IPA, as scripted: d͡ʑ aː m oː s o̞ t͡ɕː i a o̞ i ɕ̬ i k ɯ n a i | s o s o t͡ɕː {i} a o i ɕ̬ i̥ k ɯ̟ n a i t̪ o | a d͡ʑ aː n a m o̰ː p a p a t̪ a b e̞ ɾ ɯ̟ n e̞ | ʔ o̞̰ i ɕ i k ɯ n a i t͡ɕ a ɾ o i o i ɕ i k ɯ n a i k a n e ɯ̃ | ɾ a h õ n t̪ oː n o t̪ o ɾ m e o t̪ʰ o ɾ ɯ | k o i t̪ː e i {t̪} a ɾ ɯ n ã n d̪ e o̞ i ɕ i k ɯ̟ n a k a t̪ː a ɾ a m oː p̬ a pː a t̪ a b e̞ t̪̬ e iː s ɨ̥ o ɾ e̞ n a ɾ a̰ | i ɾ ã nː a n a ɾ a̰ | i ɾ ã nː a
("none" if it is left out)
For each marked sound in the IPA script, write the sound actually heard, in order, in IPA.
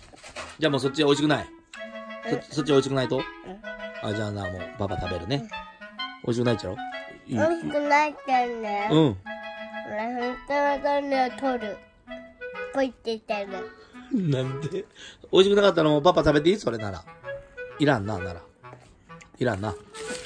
i, t̪

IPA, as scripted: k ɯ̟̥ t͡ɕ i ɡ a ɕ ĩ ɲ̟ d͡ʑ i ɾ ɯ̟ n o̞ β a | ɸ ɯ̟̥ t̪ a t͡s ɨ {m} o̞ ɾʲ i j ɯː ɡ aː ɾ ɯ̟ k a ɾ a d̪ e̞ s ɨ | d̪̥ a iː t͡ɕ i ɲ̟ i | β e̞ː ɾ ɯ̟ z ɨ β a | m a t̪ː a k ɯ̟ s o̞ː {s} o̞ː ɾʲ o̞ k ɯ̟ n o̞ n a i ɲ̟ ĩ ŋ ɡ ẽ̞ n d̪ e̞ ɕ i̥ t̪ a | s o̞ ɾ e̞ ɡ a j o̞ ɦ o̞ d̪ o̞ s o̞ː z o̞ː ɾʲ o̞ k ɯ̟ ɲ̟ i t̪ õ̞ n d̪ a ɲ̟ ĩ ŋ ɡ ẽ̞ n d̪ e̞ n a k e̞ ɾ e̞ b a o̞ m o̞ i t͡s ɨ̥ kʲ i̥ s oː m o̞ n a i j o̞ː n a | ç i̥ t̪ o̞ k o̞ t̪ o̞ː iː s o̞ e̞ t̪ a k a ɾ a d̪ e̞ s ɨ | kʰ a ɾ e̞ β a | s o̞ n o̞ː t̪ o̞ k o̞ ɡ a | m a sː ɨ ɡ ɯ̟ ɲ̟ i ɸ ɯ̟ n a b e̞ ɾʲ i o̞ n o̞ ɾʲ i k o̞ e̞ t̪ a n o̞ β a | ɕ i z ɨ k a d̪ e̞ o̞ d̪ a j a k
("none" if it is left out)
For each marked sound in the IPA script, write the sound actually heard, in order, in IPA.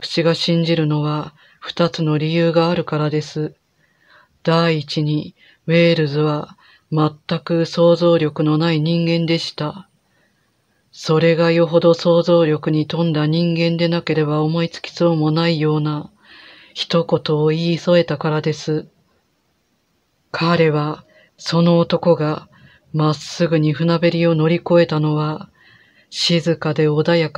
n, z

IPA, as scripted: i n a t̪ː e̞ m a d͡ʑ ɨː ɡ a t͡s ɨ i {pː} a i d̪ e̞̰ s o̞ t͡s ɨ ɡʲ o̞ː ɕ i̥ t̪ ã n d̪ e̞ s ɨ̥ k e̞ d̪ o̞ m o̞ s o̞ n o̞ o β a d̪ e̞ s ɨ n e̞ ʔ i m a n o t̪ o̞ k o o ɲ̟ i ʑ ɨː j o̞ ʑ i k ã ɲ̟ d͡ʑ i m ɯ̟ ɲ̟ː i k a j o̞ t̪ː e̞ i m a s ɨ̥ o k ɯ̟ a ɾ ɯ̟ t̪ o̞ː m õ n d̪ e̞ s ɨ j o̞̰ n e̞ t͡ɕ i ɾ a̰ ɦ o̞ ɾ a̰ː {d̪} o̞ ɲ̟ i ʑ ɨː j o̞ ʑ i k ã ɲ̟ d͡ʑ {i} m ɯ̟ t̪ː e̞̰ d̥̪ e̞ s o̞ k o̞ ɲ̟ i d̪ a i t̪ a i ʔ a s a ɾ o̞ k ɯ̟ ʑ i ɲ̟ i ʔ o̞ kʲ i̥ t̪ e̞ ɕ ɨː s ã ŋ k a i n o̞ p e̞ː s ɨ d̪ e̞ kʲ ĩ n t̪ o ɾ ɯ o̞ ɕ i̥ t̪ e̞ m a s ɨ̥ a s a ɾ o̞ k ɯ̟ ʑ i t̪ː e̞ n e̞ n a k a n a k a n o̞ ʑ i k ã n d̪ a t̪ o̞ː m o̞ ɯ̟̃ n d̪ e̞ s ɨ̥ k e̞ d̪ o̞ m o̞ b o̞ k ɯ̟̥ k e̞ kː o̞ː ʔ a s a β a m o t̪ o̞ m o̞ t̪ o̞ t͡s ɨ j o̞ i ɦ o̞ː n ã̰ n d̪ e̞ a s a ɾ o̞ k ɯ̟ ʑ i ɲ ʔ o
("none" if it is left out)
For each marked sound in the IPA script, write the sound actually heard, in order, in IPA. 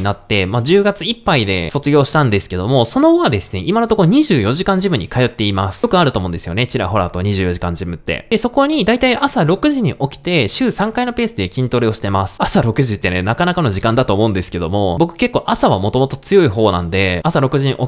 pː, t̪, i

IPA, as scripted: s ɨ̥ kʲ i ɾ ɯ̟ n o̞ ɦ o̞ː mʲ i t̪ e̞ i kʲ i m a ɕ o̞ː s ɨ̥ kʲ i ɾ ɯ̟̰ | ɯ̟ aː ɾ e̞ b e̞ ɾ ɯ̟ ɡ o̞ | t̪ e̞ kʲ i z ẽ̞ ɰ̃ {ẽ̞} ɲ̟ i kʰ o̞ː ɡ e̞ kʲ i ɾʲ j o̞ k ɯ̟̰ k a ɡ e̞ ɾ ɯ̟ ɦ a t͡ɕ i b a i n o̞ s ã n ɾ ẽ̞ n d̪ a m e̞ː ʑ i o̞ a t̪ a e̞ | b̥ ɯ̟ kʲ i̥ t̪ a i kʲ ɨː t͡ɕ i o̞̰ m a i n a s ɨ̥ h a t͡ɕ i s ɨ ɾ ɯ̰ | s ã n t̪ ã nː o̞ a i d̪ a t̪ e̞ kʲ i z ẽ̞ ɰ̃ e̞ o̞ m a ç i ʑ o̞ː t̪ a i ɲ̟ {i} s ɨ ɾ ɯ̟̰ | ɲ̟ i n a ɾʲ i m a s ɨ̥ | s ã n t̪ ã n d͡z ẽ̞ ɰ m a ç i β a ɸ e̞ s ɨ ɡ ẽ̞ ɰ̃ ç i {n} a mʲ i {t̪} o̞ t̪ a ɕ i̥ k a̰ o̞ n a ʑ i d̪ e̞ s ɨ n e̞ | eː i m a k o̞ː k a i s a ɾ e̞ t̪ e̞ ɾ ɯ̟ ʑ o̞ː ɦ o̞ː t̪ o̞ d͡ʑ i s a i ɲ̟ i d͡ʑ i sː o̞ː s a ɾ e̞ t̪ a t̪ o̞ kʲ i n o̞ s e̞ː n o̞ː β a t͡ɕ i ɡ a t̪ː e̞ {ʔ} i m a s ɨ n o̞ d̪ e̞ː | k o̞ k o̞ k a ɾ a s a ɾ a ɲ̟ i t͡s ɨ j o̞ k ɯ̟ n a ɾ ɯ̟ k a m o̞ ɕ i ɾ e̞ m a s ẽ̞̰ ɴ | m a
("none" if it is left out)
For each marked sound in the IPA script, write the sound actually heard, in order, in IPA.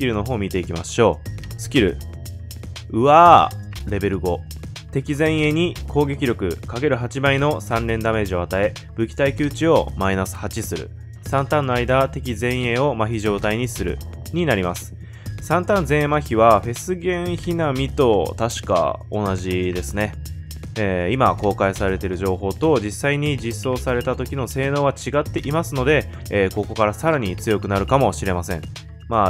e̞, i, n, t̪, ʔ

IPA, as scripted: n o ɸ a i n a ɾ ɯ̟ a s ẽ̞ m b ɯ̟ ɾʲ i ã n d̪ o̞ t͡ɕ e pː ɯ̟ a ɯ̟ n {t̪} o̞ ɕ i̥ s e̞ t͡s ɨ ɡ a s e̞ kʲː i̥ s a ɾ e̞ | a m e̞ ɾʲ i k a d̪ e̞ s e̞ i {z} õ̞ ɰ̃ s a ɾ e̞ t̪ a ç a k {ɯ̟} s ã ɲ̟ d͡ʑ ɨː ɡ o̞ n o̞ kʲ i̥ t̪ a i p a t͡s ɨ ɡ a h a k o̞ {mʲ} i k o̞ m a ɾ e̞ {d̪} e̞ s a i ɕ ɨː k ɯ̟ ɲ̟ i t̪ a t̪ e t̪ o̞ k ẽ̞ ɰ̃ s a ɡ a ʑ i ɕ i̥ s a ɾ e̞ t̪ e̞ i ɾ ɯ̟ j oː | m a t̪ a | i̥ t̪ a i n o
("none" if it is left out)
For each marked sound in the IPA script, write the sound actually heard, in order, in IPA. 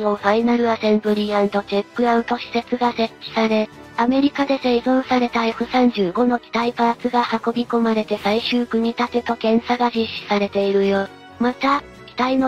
t̪, z, ɯ̟, bʲ, t̪

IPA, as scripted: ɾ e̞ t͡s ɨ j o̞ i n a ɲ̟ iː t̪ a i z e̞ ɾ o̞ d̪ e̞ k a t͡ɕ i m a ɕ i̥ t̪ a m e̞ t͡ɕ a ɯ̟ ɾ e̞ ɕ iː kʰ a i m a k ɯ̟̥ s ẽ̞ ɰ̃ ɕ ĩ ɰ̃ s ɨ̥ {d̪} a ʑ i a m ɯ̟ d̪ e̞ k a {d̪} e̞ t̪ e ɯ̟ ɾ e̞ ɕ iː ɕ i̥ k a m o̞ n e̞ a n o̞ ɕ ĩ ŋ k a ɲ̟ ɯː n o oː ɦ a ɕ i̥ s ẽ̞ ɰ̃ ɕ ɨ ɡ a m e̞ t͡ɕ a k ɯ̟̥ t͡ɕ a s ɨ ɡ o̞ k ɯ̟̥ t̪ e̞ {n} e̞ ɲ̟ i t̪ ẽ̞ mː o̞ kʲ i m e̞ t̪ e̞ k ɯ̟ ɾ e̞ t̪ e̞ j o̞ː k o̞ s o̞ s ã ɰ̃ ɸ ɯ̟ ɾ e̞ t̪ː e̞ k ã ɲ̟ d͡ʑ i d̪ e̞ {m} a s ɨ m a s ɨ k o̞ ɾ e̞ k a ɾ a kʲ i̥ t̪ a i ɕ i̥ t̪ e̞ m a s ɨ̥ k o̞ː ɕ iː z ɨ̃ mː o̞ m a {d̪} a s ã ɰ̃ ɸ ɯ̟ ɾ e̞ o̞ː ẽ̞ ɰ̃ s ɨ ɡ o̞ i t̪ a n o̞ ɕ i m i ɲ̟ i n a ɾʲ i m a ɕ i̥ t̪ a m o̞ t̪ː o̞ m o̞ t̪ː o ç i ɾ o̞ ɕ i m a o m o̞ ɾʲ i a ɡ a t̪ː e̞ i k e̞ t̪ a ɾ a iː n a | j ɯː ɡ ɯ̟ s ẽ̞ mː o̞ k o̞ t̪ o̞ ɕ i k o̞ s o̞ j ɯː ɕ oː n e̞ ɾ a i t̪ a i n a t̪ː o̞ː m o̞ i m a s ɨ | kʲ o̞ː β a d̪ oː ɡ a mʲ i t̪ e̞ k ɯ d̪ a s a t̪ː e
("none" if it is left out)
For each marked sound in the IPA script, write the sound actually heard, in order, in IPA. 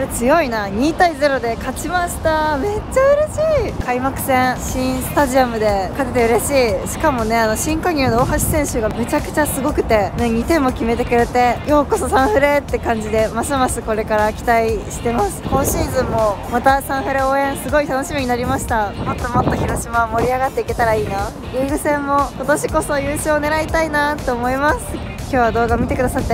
t̪, t̪, n, m, t̪

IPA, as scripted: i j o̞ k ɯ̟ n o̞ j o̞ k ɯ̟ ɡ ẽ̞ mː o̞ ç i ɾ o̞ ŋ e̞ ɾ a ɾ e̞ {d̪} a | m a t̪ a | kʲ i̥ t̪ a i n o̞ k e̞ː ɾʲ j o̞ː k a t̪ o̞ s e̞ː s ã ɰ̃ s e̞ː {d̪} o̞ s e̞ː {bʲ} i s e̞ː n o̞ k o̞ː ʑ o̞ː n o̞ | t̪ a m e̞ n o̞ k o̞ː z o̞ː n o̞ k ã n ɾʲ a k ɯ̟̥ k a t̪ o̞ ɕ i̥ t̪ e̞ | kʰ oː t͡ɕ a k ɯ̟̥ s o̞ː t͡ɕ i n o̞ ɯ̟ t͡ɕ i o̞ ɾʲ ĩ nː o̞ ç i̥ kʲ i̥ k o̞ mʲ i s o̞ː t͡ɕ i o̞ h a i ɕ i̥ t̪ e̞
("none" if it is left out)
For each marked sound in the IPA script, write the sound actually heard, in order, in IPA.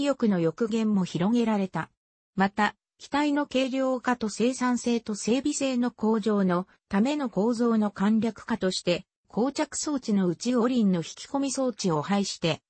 t̪, t̪, bʲ

